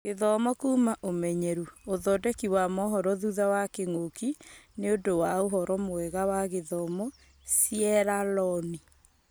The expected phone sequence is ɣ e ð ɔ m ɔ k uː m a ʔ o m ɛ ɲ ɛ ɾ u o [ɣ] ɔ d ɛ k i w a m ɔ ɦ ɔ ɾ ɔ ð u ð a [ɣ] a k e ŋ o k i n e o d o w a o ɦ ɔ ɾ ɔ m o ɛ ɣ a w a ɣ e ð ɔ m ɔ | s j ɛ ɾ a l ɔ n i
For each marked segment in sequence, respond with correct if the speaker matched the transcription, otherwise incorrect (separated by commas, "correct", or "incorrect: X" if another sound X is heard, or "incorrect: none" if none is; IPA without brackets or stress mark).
incorrect: ð, incorrect: w